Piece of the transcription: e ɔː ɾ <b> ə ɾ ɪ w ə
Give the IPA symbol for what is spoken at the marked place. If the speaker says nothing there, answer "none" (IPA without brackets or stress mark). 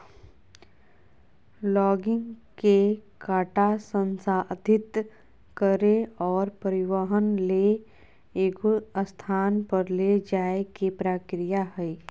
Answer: p